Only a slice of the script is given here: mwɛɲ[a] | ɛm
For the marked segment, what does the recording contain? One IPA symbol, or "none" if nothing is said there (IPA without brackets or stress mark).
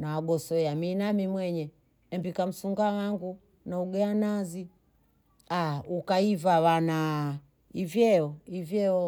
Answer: ɛ